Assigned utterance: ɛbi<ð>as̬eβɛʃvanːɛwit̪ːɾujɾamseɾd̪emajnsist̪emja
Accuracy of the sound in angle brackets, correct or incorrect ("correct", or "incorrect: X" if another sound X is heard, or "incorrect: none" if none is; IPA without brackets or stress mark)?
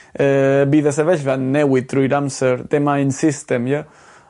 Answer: correct